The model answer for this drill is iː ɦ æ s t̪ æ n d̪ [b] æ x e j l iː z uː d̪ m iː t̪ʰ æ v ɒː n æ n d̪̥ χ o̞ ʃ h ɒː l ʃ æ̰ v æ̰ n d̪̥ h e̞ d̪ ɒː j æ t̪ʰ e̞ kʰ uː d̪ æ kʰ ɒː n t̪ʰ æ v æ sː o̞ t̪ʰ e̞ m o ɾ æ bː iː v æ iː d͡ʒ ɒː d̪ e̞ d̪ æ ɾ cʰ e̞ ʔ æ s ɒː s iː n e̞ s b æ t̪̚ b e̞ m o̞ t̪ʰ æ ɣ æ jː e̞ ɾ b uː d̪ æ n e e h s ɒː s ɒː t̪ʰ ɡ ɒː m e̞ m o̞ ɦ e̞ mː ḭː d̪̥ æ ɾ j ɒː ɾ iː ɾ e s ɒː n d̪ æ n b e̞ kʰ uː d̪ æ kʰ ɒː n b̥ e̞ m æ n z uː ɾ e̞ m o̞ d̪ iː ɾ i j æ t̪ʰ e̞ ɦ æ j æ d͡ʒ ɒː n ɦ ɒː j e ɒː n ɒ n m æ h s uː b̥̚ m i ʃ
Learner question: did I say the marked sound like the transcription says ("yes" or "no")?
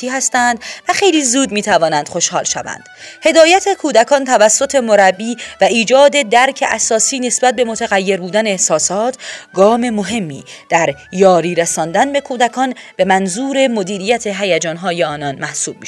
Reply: no